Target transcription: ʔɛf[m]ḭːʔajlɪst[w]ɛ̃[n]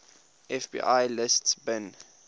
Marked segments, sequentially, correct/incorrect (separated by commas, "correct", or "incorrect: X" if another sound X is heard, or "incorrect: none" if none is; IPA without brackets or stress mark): incorrect: b, incorrect: b, correct